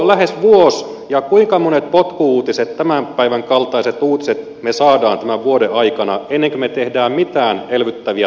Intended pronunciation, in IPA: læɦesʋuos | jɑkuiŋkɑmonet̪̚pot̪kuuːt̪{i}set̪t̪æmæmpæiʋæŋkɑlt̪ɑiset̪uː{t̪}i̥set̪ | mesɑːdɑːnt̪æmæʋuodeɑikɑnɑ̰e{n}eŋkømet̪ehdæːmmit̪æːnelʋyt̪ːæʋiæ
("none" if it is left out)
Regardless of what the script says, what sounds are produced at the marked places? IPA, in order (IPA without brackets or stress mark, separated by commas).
i, t̪, nː